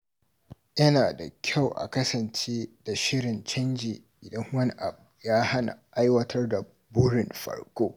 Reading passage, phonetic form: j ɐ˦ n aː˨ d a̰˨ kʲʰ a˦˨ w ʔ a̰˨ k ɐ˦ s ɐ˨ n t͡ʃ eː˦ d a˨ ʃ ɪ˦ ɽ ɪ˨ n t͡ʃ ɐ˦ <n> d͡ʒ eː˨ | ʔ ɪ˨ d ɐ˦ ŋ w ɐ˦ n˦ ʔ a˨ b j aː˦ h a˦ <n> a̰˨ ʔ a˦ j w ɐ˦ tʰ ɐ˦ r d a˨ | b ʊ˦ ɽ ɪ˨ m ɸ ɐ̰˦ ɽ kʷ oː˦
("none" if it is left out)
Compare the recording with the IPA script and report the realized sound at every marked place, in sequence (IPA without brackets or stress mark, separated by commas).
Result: n, n